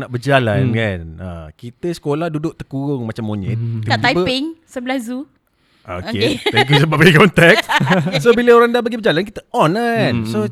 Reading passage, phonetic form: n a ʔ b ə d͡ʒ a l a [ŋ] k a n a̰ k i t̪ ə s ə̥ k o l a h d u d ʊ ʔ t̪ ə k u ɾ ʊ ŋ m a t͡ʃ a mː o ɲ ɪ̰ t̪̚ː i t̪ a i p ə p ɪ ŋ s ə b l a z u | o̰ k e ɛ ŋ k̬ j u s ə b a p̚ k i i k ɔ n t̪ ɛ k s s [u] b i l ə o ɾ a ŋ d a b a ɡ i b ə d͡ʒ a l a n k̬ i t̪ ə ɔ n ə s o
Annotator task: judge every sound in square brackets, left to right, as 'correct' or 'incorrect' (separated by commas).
incorrect, incorrect